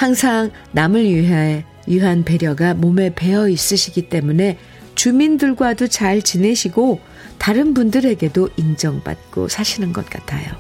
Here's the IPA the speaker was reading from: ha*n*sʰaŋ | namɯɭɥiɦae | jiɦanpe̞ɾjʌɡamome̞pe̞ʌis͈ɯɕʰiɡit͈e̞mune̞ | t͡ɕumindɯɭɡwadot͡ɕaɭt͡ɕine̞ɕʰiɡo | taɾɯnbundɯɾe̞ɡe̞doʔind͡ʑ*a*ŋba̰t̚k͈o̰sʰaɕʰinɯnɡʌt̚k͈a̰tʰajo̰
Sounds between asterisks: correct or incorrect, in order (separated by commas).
incorrect, incorrect